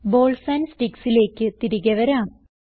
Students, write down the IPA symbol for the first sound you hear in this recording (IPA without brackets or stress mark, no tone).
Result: b